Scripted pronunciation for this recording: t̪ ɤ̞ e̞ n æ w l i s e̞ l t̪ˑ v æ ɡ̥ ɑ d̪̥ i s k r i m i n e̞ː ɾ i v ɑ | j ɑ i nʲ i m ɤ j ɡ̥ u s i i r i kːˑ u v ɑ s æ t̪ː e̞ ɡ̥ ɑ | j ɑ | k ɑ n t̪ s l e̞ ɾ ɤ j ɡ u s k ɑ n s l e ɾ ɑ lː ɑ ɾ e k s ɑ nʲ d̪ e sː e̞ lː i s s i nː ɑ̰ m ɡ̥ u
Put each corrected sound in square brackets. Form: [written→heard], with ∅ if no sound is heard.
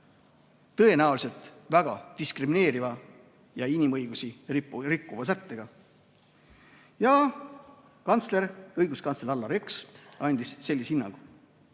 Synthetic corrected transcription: t̪ ɤ̞ e̞ n æ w l i s e̞ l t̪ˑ v æ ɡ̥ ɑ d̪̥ i s k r i m i n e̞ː ɾ i v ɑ | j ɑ i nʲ i m ɤ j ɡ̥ u s i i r i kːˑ u v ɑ s æ t̪ː e̞ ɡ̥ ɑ | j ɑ | k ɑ n t̪ s l e̞ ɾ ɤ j ɡ u s k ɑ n s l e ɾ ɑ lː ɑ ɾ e k s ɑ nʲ d̪ [e→i] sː e̞ lː i s [s→h] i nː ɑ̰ [m→ŋ] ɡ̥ u